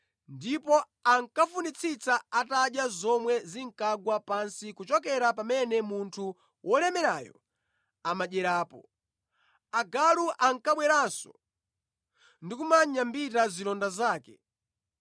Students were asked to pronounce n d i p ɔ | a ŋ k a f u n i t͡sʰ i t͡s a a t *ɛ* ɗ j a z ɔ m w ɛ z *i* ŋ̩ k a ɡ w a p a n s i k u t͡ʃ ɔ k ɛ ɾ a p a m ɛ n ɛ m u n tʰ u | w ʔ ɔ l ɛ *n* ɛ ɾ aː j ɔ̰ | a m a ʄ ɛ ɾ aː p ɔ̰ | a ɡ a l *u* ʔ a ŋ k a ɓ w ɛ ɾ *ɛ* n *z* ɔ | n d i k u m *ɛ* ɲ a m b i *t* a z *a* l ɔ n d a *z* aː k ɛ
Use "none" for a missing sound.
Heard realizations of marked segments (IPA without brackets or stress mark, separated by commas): a, i, m, u, a, s, a, t, i, z